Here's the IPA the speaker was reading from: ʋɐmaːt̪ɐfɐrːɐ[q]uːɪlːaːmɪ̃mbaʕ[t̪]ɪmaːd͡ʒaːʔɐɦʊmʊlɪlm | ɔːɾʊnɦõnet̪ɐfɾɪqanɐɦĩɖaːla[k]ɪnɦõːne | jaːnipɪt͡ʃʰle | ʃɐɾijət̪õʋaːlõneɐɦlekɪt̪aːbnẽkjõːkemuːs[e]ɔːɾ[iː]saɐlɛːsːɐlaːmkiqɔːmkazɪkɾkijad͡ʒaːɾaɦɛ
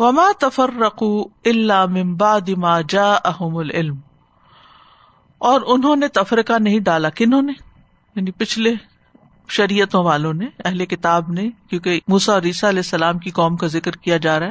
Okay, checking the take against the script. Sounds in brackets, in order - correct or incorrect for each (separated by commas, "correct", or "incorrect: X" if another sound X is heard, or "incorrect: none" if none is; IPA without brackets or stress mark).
correct, incorrect: d̪, correct, incorrect: a, correct